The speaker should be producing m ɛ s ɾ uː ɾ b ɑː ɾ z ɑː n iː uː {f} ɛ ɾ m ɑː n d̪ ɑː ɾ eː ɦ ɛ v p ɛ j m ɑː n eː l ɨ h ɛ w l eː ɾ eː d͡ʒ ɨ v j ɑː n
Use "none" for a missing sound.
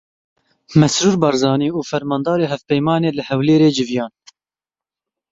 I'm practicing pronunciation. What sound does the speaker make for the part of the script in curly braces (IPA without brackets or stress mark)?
f